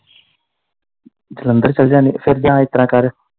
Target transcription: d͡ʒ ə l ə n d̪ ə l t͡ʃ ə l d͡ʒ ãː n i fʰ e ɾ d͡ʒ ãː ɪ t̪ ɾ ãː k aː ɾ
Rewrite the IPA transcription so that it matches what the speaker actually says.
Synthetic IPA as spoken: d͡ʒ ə l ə n d̪ ə ɾ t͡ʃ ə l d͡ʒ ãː n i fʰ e ɾ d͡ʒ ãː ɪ t̪ ɾ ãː k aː ɾ